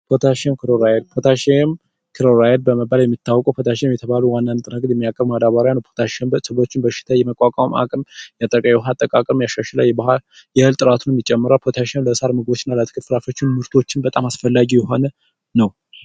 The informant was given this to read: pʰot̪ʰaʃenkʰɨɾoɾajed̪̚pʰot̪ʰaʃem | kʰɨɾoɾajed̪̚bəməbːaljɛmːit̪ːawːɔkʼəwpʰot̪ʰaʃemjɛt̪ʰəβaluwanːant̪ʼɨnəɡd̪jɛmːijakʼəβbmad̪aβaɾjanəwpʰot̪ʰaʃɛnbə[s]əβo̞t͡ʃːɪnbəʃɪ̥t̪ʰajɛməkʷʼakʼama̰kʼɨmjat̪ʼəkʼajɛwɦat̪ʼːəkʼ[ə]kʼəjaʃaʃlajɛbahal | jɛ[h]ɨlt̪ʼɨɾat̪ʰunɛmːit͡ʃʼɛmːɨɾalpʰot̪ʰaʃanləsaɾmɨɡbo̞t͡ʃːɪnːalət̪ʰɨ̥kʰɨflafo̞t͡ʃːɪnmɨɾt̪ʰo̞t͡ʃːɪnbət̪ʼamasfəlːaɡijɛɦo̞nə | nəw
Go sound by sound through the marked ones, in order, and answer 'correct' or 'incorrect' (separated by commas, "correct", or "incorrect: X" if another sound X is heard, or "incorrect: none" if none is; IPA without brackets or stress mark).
correct, incorrect: a, correct